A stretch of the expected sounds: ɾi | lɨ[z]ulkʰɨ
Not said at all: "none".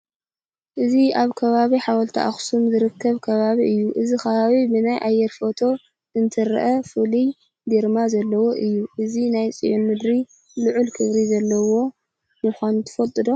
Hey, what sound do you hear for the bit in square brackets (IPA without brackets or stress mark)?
ʕ